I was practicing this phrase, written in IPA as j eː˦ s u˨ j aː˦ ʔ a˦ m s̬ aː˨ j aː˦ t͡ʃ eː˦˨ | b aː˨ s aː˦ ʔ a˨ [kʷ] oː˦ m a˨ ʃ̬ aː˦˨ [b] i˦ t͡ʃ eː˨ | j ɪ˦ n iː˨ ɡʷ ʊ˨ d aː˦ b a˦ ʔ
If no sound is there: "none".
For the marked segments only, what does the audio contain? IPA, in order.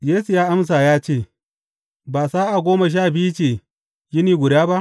ɡʷ, b

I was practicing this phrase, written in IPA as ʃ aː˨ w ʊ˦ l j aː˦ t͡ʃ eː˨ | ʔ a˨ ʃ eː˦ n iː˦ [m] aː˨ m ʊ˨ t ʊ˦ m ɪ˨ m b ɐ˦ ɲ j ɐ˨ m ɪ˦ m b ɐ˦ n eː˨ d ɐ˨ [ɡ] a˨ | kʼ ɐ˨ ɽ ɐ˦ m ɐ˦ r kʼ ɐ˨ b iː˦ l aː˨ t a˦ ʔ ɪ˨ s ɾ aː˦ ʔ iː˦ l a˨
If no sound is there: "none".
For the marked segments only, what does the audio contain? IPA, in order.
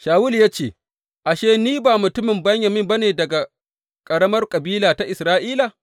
b, ɡ

